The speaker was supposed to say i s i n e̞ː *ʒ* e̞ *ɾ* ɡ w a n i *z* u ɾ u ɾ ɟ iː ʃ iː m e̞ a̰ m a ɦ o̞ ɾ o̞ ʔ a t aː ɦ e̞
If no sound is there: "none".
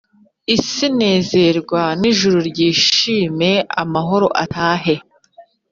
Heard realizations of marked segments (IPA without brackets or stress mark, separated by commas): z, ɾ, ʒ